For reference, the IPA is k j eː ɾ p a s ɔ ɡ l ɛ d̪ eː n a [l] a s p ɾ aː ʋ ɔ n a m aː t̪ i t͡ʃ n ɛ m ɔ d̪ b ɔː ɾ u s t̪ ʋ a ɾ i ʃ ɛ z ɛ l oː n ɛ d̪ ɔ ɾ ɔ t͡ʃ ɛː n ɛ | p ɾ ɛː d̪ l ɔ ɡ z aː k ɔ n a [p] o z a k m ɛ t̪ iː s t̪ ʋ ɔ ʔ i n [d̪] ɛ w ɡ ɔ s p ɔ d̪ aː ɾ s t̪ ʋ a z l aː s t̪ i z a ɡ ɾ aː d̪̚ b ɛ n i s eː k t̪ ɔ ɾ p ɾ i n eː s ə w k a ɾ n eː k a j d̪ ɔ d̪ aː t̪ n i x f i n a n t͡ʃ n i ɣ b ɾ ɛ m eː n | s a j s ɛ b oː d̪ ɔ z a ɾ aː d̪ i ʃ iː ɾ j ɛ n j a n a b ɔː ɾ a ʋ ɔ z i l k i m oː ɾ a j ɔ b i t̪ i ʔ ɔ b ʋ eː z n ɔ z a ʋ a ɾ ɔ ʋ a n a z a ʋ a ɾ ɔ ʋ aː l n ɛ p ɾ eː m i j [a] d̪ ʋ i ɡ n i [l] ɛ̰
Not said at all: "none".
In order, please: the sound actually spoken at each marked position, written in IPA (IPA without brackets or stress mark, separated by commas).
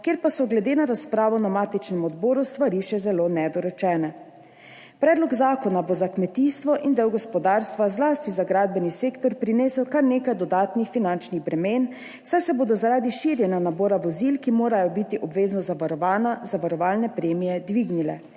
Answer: ɾ, b, d̪, ɛ, l